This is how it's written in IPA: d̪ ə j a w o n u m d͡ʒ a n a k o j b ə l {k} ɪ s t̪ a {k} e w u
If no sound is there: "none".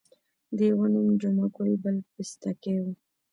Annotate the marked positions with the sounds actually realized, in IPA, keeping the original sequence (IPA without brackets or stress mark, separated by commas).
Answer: p, k